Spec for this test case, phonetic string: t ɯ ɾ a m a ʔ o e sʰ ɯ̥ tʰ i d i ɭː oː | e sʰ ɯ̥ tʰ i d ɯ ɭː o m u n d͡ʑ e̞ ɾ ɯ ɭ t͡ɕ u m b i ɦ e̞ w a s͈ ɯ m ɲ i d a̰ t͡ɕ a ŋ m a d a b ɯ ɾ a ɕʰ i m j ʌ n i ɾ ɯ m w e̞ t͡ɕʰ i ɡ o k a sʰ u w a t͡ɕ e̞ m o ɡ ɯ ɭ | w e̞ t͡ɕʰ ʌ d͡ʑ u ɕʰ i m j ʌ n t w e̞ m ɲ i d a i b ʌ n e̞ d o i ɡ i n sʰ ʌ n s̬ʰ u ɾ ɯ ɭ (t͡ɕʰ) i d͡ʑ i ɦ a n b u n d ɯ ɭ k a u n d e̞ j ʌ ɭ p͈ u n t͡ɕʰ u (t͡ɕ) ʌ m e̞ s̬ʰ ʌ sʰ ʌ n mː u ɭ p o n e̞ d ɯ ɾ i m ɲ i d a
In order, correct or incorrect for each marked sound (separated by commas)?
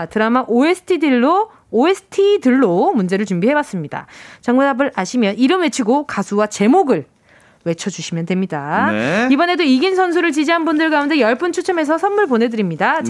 incorrect, incorrect